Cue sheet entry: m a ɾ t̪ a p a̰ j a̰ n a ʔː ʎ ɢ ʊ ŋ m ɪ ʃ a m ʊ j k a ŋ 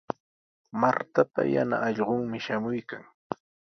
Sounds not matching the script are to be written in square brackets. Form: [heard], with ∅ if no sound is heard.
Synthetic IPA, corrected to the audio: m a ɾ t̪ a p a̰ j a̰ n a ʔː ʎ ɢ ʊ ŋ m ɪ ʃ a m ʊ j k a ŋ